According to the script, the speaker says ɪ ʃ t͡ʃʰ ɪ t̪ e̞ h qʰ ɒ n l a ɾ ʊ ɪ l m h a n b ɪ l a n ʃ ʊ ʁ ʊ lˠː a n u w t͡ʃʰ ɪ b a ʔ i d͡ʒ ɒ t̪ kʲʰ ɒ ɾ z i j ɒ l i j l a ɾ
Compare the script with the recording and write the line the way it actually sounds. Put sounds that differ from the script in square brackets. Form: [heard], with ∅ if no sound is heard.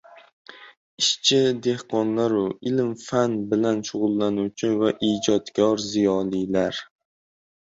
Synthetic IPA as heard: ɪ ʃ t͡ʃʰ ɪ [d̪] e̞ h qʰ ɒ n l a ɾ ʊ ɪ l m [f] a n b ɪ l a n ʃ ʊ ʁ ʊ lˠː a n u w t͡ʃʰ ɪ [v] a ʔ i d͡ʒ ɒ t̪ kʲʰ ɒ ɾ z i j ɒ l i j l a ɾ